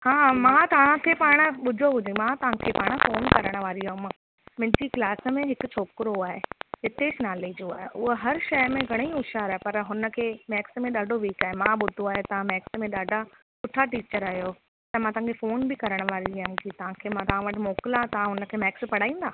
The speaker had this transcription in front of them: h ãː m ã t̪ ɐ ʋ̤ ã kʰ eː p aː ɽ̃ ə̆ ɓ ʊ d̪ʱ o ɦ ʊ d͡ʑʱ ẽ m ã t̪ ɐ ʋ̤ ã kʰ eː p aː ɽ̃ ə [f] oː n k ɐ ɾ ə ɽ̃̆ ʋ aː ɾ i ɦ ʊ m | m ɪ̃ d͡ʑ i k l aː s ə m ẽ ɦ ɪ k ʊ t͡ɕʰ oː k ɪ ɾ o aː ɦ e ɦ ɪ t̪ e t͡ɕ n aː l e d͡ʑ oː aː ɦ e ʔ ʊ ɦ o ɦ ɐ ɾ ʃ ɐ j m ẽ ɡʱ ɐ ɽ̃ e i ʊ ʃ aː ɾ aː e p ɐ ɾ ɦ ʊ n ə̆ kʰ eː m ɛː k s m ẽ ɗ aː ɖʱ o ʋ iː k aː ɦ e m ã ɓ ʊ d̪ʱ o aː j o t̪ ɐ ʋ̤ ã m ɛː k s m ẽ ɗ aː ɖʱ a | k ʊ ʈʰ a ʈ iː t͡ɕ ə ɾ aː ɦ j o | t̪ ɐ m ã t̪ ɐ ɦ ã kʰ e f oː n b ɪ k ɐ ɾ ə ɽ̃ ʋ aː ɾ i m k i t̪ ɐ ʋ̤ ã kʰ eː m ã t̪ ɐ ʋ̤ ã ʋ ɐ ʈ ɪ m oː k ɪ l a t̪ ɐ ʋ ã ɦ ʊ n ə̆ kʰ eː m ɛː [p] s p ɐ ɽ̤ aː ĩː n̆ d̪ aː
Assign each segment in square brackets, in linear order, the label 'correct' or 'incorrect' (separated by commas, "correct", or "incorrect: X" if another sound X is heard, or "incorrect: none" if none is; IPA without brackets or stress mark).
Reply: correct, incorrect: k